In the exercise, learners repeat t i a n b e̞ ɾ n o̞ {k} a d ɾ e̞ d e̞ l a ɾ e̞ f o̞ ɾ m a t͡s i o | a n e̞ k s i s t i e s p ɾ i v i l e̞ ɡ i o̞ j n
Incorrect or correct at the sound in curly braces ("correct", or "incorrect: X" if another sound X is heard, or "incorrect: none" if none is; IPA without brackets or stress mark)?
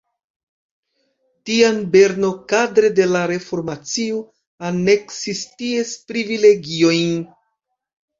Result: correct